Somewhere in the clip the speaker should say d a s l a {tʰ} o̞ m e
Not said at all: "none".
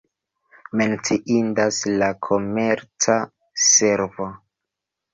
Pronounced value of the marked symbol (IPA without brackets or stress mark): kʰ